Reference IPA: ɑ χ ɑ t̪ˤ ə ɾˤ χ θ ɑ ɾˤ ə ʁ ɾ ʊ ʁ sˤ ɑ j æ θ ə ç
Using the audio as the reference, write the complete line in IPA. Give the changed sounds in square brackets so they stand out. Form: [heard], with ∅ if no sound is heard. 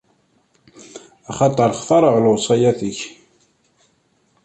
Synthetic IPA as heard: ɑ χ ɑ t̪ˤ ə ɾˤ χ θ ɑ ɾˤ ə ʁ [l] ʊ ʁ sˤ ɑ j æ θ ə ç